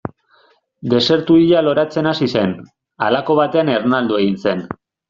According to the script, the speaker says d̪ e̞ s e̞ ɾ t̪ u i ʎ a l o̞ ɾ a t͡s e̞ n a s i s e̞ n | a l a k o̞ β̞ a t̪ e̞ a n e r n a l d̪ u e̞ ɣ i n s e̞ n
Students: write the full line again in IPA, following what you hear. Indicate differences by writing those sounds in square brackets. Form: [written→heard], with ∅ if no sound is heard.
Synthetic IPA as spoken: d̪ e̞ s e̞ ɾ t̪ u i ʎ a l o̞ ɾ a t͡s e̞ n a s i s e̞ n | a l a k o̞ β̞ a t̪ e̞ a n e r n a l d̪ u e̞ ɣ i n s e̞ n